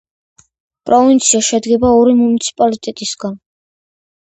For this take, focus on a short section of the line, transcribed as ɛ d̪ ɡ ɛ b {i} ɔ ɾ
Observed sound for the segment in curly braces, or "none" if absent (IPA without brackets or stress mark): a